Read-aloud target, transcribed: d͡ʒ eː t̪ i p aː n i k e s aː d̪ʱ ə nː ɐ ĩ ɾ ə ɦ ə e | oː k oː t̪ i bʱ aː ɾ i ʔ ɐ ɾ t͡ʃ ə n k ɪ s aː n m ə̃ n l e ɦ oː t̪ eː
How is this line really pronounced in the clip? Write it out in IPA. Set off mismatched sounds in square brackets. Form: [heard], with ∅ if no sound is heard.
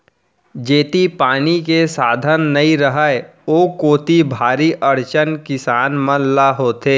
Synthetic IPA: d͡ʒ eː t̪ i p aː n i k e s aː d̪ʱ ə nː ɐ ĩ ɾ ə ɦ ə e | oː k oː t̪ i bʱ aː ɾ i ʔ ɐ ɾ t͡ʃ ə n k ɪ s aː n m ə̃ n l [a] ɦ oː t̪ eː